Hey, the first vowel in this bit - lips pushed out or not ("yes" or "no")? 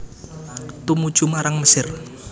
yes